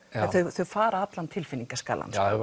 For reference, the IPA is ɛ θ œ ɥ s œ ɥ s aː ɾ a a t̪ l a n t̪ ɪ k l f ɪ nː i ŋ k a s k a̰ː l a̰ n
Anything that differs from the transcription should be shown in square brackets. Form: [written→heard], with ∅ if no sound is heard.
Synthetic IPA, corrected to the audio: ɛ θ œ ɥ [s→θ] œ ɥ [s→f] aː ɾ a a t̪ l a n [t̪→t̪ʰ] ɪ [k→∅] l f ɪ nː i ŋ k a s k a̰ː l a̰ n